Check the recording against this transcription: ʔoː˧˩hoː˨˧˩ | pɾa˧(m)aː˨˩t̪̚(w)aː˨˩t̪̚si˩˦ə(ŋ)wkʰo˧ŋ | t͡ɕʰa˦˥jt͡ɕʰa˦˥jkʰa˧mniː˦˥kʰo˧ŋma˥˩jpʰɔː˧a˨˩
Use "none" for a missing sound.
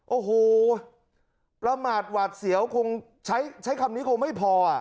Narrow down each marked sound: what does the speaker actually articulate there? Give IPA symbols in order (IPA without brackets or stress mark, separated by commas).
m, w, none